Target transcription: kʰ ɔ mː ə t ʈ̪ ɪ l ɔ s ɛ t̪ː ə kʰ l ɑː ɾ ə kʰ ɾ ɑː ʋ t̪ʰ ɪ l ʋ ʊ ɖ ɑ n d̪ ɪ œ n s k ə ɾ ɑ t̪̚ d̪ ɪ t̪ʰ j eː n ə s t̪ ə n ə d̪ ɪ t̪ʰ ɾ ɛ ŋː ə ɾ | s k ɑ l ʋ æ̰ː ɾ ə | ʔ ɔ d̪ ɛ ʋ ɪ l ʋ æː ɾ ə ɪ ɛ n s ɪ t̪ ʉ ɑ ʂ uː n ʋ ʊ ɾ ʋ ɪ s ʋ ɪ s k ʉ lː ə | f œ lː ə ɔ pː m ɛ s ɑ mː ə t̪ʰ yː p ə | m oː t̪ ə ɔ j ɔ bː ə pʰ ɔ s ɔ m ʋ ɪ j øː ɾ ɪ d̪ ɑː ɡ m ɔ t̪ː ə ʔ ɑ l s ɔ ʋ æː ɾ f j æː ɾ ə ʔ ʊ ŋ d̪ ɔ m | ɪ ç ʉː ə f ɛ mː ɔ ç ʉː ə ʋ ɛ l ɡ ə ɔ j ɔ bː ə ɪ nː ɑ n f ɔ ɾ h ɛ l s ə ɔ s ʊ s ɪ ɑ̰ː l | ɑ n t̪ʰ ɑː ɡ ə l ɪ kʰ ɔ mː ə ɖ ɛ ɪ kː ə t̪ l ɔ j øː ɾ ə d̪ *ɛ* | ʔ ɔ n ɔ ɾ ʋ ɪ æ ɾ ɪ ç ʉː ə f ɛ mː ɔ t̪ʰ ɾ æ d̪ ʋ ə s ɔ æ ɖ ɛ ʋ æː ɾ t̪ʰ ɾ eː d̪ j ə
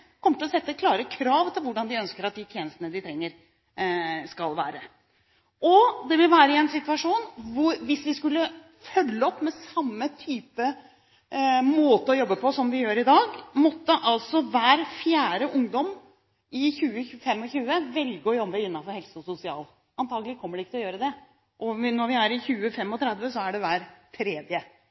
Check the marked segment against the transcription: correct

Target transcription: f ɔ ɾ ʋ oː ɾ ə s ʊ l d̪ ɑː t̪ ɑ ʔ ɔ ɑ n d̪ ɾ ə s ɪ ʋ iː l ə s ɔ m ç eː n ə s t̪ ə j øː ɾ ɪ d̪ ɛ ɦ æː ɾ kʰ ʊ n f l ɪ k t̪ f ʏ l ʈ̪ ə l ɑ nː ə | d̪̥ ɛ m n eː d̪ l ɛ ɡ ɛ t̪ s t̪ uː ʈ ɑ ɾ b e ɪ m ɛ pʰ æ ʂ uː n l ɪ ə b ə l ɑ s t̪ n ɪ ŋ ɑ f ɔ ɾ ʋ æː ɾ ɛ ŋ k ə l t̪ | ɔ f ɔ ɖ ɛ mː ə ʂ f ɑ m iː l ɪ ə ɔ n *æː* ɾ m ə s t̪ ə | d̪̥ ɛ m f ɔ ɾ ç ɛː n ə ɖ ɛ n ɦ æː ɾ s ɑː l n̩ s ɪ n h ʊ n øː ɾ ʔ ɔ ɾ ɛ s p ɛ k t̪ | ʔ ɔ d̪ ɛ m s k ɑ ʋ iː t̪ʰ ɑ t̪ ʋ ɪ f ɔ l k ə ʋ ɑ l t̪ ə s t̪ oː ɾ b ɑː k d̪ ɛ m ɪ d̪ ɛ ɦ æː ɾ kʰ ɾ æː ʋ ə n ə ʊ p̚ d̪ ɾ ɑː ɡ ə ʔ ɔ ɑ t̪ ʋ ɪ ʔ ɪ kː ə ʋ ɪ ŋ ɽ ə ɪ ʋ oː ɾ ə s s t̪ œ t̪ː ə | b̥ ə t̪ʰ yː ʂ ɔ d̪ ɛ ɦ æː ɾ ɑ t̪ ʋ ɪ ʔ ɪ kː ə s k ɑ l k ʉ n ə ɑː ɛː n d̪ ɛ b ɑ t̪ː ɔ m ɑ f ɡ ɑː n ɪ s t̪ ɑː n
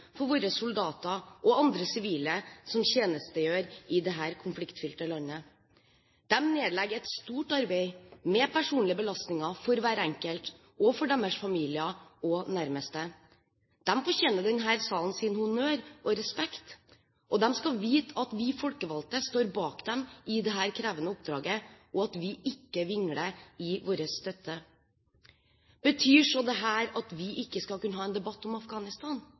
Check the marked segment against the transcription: incorrect: æ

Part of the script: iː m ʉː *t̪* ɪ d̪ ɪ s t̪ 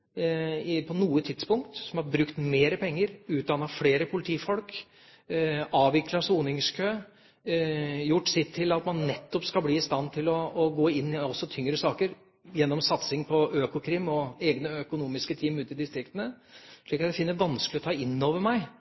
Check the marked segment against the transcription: correct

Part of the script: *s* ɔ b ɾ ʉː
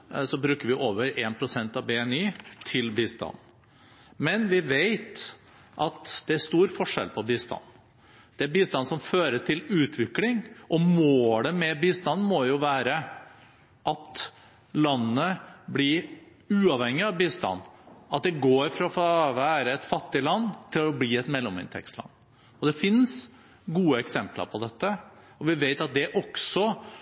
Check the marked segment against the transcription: correct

